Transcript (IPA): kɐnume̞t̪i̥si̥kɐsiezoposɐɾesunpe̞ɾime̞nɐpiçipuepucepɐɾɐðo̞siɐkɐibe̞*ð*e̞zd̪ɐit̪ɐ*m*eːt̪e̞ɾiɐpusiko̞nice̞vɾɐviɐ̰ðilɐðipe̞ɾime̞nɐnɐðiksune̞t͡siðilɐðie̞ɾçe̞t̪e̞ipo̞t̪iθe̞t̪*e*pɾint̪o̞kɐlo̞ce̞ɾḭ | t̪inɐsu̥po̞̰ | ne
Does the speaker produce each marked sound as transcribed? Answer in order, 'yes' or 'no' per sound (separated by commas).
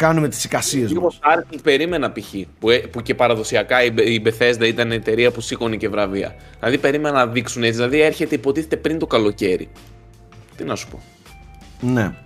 no, no, yes